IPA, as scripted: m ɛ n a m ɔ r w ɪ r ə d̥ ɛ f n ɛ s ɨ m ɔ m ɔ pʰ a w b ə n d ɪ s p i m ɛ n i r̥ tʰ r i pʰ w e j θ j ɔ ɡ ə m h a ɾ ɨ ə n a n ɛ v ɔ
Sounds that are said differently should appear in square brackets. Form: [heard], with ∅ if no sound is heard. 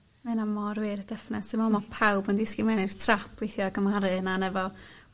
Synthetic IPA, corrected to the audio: m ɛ n a m ɔ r w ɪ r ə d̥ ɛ f n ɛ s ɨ m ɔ m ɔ pʰ a w b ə n d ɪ s [k] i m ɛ n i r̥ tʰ r [a] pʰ w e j θ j ɔ ɡ ə m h a ɾ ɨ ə n a n ɛ v ɔ